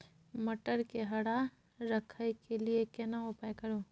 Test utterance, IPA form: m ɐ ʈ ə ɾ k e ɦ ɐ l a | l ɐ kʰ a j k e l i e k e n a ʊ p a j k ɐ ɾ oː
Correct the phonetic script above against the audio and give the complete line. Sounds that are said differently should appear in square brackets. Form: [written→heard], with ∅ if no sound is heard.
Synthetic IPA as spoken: m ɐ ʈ ə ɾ k e ɦ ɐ [l→ɽ] a | [l→ɾ] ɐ kʰ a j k e l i e k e n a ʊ p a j k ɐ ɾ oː